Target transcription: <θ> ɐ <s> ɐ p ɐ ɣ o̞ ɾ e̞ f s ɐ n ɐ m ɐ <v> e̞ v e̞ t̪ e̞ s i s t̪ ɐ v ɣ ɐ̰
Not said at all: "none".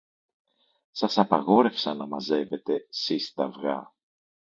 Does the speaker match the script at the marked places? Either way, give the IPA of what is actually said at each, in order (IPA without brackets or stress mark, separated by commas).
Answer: s, s, z